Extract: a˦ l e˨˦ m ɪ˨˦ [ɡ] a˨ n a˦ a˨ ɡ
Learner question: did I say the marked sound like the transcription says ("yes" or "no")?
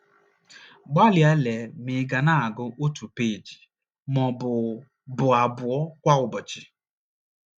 yes